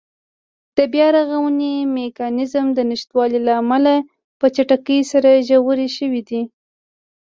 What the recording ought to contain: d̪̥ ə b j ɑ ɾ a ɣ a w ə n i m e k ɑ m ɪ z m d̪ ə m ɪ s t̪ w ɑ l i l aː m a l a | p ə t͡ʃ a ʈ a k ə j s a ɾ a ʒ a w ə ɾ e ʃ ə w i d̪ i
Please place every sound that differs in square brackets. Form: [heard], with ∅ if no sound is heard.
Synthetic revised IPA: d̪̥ ə b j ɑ ɾ a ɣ a w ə n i m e k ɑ [n] ɪ z m d̪ ə [n] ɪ [ʃ] t̪ w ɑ l i l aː m a l a | p ə t͡ʃ a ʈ a k ə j s a ɾ a ʒ a w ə ɾ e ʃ ə w i d̪ i

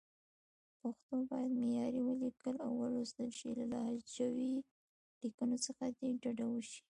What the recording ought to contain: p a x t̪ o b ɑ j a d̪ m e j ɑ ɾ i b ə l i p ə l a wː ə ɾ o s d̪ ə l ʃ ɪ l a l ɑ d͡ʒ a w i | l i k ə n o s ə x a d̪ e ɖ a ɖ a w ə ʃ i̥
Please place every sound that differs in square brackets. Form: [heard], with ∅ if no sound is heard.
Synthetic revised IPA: p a x t̪ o b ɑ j a d̪ m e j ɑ ɾ i [w] ə l i [k] ə l a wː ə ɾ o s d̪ ə l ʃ [i] l a l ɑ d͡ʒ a w i | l i k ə n o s ə x a d̪ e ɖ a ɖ a w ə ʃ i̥

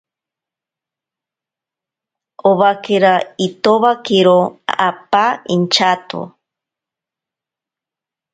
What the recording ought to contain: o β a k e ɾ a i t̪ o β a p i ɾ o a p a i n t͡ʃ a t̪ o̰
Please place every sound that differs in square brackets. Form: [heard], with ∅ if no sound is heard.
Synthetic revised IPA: o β a k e ɾ a i t̪ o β a [k] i ɾ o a p a i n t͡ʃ a t̪ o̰

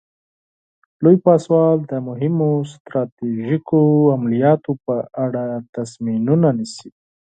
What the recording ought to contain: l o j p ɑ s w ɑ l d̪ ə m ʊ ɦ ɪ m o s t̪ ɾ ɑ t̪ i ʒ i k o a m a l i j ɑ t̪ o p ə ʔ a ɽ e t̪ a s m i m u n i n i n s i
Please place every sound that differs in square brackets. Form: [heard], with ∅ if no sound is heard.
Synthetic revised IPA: l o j p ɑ s w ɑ l d̪ ə m ʊ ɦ ɪ m o s t̪ ɾ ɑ t̪ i ʒ i k o a m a l i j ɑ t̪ o p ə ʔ a ɽ [a] t̪ a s m i [n] u n [a] n i [∅] s i

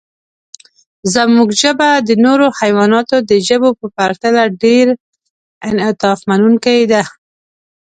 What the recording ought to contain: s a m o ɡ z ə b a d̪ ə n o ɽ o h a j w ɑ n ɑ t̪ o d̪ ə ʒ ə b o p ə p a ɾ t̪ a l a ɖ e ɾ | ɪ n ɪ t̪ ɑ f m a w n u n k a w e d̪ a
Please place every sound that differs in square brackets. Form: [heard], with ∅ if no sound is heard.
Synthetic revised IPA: [z] a m [u] ɡ [ʒ] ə b a d̪ ə n o [ɾ] o h a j w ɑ n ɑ t̪ o d̪ ə ʒ ə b o p ə p a ɾ t̪ a l a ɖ e ɾ | ɪ n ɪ t̪ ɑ f m a [∅] n u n k a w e d̪ a

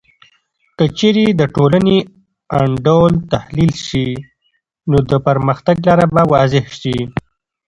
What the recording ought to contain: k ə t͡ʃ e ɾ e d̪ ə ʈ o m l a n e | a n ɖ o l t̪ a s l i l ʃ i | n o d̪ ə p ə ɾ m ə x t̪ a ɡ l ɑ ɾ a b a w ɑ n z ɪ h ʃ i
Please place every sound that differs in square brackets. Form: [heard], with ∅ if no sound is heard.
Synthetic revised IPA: k ə t͡ʃ e ɾ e d̪ ə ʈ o [∅] l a n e | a [ɳ] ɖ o l t̪ a [h] l i l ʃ i | n o d̪ ə p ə ɾ m ə x t̪ a ɡ l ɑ ɾ a b a w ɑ [∅] z ɪ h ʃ i

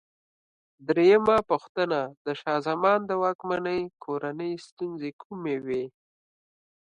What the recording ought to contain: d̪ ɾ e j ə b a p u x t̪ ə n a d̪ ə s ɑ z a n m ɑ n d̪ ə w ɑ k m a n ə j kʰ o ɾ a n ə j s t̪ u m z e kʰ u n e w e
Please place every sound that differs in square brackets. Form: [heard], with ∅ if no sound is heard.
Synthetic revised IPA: d̪ ɾ e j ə [m] a p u x t̪ ə n a d̪ ə [ʃ] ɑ z a [∅] m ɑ n d̪ ə w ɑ k m a n ə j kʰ o ɾ a n ə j s t̪ u [n] z e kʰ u [m] e w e

